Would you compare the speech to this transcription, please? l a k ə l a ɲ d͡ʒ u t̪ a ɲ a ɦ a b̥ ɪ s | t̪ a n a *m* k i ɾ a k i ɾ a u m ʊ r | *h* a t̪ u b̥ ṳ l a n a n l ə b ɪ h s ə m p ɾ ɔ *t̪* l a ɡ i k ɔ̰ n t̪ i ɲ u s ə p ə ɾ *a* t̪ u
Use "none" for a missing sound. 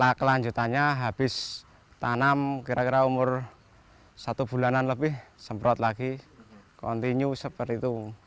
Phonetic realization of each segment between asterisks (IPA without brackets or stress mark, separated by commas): m, s, t̪, i